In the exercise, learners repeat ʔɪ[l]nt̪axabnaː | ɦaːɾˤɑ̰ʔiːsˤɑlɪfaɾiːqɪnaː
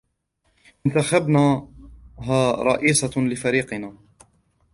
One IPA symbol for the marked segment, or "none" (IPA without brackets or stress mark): none